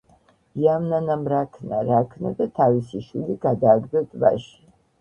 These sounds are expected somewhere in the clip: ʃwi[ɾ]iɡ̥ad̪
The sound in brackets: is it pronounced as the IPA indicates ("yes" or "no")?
no